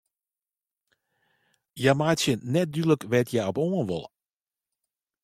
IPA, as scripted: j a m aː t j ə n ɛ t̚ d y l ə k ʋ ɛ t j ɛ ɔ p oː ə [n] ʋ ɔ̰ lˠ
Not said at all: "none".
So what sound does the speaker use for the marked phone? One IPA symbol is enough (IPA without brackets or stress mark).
n